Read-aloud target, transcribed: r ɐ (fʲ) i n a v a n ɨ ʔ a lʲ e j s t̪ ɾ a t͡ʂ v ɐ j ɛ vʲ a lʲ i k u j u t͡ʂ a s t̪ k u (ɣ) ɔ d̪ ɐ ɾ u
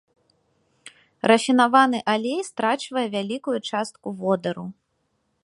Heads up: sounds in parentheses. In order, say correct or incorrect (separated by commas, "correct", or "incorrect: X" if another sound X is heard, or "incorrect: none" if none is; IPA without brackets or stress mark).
correct, incorrect: v